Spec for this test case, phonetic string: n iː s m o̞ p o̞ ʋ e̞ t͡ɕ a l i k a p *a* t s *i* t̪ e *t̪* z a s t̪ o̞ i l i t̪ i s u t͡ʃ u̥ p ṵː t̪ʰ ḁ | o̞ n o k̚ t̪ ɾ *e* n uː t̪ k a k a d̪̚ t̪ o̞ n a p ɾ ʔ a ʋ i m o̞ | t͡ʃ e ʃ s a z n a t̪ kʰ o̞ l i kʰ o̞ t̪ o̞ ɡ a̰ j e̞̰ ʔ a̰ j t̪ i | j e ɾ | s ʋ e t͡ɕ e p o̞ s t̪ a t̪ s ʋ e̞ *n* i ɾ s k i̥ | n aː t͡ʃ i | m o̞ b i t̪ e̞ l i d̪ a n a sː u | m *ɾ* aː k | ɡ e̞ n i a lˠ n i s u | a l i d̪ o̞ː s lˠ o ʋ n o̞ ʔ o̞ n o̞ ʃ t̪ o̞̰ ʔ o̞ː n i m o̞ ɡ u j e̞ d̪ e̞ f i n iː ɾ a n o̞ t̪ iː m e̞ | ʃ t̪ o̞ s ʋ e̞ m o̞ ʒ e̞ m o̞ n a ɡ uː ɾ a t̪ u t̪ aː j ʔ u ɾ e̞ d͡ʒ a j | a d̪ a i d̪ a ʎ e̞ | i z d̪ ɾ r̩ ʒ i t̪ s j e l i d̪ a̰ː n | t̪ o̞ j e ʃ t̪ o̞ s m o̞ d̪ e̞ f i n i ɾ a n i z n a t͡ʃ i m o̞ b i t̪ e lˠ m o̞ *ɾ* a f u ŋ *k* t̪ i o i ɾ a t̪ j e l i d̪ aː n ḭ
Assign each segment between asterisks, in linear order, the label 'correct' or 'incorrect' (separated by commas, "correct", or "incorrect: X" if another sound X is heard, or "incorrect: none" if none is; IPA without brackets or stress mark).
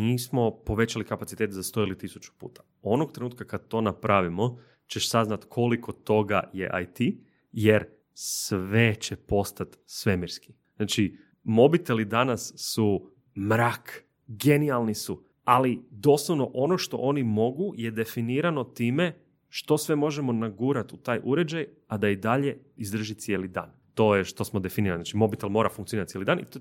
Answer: correct, correct, correct, correct, incorrect: m, correct, correct, correct